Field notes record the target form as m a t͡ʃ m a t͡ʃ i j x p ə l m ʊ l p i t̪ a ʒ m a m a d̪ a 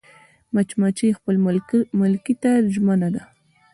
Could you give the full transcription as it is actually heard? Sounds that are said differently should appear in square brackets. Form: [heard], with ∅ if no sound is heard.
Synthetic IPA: m a t͡ʃ m a t͡ʃ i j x p ə l m ʊ l [k] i t̪ a ʒ m a [n] a d̪ a